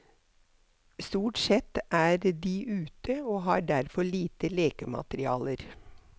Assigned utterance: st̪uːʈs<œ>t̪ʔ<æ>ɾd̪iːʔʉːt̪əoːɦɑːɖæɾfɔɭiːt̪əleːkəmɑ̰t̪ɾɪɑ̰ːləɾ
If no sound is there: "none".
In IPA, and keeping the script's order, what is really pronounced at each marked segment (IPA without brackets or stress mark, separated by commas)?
ɛ, æː